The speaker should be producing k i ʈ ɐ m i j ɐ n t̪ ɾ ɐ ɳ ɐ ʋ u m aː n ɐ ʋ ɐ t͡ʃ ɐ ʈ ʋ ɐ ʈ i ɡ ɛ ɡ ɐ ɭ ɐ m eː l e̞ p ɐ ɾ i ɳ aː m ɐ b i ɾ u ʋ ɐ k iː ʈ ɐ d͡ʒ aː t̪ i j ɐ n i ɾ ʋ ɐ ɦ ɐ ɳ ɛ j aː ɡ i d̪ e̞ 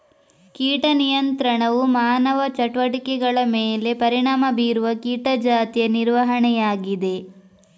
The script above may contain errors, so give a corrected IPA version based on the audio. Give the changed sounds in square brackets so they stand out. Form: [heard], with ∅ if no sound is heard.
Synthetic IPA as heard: k [iː] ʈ ɐ [n] i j ɐ n t̪ ɾ ɐ ɳ ɐ ʋ u m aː n ɐ ʋ ɐ t͡ʃ ɐ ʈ ʋ ɐ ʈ i [k] ɛ ɡ ɐ ɭ ɐ m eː l e̞ p ɐ ɾ i ɳ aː m ɐ b [iː] ɾ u ʋ ɐ k iː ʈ ɐ d͡ʒ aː t̪ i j ɐ n i ɾ ʋ ɐ ɦ ɐ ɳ ɛ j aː ɡ i d̪ e̞